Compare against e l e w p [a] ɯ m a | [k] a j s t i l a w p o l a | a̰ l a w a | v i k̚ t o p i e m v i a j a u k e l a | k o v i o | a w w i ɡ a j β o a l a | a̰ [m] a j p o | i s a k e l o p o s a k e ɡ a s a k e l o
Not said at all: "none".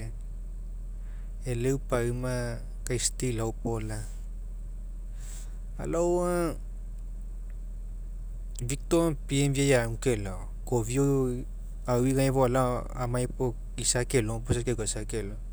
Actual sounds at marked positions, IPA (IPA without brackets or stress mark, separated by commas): a, k, m